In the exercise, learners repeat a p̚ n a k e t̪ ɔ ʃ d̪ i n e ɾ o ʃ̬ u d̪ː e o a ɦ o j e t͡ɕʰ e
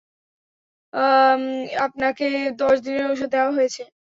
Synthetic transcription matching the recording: a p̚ n a k e d̪ ɔ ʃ d̪ i n e ɾ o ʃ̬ o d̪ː e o a ɦ o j e t͡ɕʰ e